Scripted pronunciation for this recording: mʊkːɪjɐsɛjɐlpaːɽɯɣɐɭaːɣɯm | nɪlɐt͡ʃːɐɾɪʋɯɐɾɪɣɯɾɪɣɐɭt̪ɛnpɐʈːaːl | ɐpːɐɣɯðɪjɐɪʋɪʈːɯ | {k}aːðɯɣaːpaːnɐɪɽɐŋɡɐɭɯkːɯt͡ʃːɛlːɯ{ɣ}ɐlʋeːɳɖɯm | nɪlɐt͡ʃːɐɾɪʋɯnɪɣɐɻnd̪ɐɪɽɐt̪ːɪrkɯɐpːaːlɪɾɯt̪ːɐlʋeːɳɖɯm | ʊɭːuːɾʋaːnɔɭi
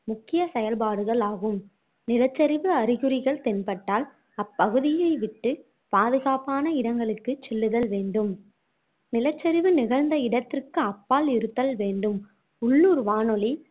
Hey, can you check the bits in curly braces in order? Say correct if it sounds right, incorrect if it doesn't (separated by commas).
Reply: incorrect, incorrect